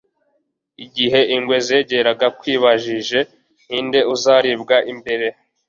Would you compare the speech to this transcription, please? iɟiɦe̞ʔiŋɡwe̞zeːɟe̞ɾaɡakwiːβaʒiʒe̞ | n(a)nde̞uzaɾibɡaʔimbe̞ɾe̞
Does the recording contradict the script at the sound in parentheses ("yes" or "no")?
yes